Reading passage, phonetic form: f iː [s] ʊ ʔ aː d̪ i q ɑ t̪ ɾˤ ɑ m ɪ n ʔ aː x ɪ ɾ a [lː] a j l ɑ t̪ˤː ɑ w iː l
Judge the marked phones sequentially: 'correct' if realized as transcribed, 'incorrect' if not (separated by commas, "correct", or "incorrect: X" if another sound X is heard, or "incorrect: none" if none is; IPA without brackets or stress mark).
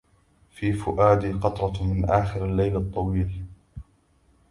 incorrect: f, correct